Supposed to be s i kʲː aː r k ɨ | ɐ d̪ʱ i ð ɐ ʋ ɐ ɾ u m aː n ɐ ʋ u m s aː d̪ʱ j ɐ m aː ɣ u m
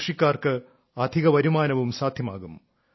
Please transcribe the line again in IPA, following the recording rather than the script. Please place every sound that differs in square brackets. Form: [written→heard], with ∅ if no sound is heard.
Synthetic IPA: [s→ʂ] i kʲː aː r k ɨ | ɐ d̪ʱ i [ð→ɣ] ɐ ʋ ɐ ɾ u m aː n ɐ ʋ u m s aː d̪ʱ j ɐ m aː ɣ u m